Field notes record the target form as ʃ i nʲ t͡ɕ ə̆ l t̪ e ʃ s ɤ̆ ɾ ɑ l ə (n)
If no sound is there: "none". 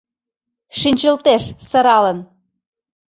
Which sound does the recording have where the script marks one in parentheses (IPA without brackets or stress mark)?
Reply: n